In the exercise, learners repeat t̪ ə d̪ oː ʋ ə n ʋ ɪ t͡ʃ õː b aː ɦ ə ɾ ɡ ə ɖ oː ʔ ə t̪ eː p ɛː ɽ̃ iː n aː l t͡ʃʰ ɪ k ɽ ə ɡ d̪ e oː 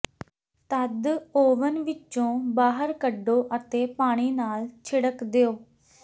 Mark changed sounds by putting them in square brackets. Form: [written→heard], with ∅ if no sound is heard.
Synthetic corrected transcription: t̪ ə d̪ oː ʋ ə n ʋ ɪ t͡ʃ õː b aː ɦ ə ɾ [ɡ→k] ə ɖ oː ʔ ə t̪ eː p [ɛː→aː] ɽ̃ iː n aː l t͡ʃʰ ɪ [k→∅] ɽ ə [ɡ→k] d̪ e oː